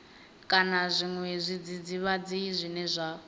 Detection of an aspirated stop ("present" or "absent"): absent